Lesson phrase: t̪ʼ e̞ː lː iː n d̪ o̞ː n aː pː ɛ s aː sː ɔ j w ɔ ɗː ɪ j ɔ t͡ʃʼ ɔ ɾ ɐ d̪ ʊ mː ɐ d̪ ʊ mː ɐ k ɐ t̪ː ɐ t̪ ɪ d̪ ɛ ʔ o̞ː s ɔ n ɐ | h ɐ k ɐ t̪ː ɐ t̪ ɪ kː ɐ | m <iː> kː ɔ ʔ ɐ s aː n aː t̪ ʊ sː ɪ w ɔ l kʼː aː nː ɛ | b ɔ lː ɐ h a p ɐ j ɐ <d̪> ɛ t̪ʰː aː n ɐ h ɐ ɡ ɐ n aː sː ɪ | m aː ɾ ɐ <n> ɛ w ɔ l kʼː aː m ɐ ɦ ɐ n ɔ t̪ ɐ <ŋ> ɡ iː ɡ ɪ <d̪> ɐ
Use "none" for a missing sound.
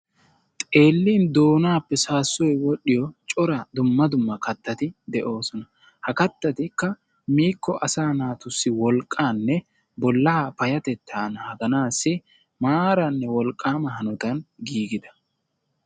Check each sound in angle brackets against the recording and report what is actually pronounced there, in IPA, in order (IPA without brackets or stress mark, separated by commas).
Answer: iː, t̪, nː, n, d̪